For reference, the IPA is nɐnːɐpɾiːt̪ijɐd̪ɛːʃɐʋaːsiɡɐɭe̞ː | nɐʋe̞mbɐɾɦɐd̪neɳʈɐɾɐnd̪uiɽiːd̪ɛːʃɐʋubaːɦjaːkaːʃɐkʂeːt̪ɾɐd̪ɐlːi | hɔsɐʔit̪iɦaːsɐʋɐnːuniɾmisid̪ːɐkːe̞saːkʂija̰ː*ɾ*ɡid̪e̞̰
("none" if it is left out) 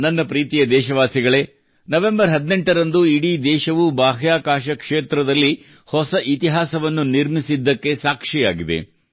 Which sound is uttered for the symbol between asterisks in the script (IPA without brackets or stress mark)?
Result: none